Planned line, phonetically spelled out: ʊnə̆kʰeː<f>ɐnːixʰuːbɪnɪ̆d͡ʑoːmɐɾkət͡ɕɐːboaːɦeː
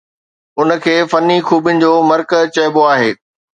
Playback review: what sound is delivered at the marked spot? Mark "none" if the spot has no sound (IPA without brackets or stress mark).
f